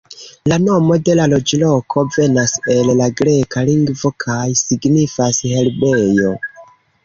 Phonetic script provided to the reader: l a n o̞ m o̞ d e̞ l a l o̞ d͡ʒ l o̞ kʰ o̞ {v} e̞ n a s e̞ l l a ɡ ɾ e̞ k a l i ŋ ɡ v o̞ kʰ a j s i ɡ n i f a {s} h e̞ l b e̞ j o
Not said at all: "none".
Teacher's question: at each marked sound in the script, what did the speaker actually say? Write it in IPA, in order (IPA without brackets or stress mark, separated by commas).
v, s